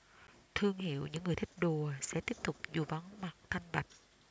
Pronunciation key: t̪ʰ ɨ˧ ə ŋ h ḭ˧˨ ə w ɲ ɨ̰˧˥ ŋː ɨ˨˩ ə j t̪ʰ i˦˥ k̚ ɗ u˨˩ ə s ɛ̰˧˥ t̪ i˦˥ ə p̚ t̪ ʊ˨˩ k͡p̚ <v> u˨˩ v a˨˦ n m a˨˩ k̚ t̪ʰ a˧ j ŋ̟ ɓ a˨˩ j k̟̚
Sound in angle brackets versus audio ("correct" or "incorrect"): incorrect